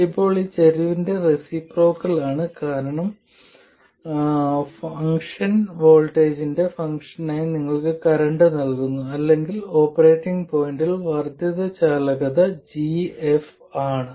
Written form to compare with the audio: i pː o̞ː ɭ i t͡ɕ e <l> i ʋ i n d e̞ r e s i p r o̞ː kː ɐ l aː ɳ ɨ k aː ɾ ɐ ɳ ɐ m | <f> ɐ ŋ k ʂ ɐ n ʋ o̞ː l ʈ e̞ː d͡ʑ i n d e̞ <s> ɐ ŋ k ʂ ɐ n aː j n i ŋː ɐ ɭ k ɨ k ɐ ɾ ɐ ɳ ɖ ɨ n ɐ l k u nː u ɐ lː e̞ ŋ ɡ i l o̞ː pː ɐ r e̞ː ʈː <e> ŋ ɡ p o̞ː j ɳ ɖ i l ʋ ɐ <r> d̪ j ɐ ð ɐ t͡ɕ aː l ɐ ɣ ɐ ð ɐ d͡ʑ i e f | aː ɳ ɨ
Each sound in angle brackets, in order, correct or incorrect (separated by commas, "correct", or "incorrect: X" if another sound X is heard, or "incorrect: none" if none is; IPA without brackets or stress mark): incorrect: ɾ, correct, incorrect: f, incorrect: i, correct